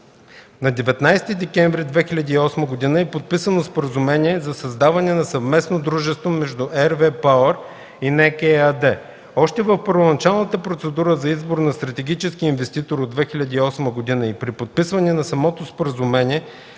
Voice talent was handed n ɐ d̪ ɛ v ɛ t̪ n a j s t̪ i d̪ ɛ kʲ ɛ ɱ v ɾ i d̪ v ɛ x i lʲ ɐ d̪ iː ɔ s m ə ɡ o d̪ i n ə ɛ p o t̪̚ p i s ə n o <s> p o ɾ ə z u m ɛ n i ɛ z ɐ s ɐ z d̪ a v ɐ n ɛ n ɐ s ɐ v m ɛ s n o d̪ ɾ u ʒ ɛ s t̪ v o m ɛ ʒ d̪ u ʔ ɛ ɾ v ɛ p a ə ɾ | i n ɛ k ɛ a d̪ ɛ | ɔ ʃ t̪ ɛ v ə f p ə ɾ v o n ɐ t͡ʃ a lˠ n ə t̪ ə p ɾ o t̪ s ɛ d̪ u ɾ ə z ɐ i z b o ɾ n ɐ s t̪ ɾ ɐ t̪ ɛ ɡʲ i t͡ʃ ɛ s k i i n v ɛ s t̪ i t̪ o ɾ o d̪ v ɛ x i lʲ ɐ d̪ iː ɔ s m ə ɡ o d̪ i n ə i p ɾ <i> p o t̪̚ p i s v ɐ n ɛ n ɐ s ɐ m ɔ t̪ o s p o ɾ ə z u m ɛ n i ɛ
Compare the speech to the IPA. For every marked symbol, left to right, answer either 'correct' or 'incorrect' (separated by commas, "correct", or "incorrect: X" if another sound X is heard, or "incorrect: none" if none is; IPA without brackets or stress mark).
correct, correct